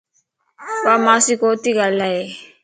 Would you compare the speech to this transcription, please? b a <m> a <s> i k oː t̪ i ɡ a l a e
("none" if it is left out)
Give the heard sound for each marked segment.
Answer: m, s

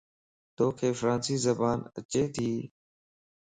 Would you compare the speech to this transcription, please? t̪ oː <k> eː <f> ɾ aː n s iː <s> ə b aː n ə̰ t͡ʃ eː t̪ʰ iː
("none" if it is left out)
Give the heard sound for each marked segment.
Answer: kʰ, f, z

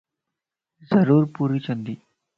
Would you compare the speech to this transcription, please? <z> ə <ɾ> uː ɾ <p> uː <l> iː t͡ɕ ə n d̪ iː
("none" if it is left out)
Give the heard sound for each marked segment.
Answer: z, ɾ, p, ɾ

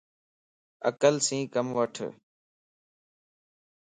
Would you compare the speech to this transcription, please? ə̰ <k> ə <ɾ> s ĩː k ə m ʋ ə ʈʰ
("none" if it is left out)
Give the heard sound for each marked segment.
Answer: k, l

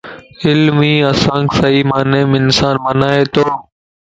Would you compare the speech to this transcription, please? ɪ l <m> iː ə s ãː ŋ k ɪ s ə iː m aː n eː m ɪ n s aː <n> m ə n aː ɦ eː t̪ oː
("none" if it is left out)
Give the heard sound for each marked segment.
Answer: m, n

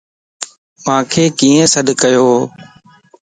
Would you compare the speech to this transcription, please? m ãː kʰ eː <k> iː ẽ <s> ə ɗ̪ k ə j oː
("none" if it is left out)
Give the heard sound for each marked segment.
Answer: k, s

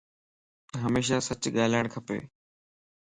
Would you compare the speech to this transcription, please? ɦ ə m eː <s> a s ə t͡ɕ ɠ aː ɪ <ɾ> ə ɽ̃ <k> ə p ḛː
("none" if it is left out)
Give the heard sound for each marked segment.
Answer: ʃ, l, kʰ

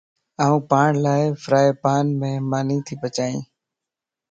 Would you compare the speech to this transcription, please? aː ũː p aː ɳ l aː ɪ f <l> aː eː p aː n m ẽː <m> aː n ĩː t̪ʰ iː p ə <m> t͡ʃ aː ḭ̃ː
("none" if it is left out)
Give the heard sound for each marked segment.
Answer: ɾ, m, none

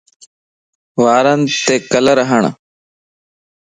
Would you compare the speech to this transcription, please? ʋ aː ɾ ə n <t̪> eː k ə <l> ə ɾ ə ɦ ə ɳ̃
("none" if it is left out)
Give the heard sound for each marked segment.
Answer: t̪, l

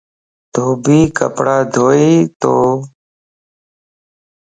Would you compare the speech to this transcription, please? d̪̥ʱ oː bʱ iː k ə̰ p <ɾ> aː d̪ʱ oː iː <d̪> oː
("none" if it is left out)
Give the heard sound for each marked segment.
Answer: ɽ, t̪

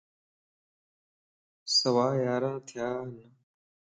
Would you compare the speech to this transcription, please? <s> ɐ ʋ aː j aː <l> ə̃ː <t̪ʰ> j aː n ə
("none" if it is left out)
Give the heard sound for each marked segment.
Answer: s, ɾ, t̪ʰ

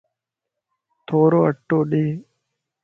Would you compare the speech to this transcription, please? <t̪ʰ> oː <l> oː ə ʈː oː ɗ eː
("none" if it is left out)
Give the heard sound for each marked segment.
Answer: t̪ʰ, ɾ

